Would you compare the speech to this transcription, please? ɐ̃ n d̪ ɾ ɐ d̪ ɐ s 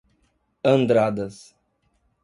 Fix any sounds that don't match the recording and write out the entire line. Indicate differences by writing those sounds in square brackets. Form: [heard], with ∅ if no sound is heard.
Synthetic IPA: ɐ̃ n d̪ ɾ [a] d̪ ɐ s

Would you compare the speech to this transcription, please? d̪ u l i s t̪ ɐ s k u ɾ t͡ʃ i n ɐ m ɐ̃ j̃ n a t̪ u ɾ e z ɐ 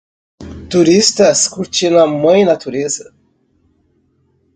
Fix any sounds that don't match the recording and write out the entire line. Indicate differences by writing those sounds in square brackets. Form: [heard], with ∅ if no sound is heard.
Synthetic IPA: [t̪] u [ɾ] i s t̪ ɐ s k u ɾ t͡ʃ i n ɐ m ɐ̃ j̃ n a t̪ u ɾ e z ɐ

